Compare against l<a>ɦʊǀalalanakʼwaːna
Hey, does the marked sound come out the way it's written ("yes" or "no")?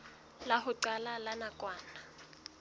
yes